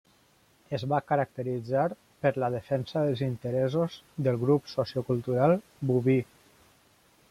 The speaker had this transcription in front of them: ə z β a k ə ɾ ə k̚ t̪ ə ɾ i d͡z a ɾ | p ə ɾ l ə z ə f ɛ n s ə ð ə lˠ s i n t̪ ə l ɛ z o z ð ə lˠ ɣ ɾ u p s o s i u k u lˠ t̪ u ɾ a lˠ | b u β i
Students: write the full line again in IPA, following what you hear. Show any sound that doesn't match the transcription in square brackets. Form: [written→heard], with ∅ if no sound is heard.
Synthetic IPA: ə z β a k ə ɾ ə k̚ t̪ ə ɾ i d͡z a ɾ | p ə ɾ l ə [z→ð] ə f ɛ n s ə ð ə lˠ [s→z] i n t̪ ə [l→ɾ] ɛ z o z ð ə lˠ ɣ ɾ u p s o s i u k u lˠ t̪ u ɾ a lˠ | b u β i